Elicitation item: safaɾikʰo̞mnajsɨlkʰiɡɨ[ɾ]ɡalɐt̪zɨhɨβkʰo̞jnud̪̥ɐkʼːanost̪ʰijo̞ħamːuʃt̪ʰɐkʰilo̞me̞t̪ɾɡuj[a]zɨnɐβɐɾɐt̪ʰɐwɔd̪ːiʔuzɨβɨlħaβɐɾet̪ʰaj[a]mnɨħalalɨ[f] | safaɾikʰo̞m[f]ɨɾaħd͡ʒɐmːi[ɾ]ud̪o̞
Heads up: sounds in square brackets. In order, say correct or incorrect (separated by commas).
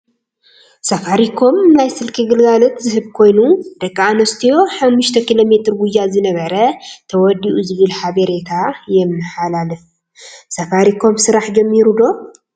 incorrect, correct, incorrect, correct, incorrect, correct